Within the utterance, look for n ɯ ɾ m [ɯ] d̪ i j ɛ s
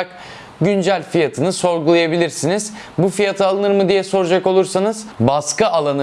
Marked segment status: correct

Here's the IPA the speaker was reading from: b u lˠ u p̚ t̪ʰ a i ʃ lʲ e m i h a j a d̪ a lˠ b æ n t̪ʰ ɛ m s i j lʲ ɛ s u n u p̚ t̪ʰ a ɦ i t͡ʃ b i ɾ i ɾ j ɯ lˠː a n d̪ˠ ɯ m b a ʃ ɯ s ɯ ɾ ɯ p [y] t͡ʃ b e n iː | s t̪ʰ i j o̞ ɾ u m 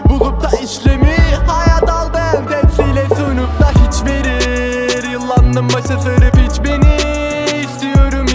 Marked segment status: incorrect: i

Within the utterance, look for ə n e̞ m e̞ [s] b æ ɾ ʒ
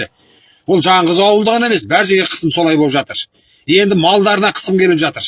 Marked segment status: correct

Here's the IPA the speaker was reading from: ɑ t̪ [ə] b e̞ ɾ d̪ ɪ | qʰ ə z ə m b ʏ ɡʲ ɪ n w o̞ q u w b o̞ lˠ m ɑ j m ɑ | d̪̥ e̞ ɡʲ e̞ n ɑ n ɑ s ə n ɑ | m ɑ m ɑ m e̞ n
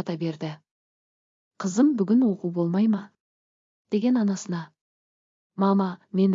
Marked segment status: incorrect: ɑ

